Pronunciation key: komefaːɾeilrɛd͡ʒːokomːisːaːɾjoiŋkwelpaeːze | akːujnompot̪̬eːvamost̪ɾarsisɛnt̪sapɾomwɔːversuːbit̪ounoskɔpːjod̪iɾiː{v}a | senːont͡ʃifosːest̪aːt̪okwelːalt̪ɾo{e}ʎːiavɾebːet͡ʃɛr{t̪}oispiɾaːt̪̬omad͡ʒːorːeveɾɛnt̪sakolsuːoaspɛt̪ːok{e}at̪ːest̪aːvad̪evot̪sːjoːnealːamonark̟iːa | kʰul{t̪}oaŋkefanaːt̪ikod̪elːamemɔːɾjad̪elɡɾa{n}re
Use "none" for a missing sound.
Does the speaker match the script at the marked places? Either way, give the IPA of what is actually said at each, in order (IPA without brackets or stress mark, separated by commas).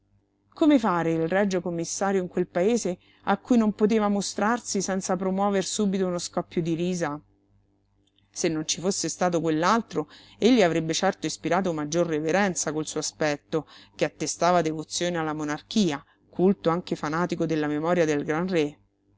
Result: z, e, t̪, e, t̪, n